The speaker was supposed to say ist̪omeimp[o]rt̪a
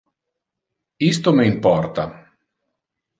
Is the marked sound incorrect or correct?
incorrect: ɔ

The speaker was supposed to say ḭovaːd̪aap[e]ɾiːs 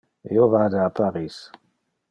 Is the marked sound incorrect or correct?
incorrect: a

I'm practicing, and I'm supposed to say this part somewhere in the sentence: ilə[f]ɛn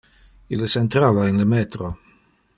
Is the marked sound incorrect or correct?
incorrect: s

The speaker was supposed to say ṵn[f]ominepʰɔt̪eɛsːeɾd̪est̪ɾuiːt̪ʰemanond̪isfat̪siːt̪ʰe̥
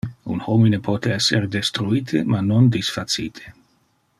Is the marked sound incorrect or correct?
incorrect: h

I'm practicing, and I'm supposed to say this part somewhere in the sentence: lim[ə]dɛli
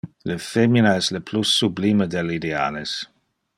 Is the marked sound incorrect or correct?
correct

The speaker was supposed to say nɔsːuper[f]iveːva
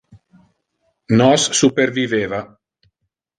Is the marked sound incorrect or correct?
incorrect: v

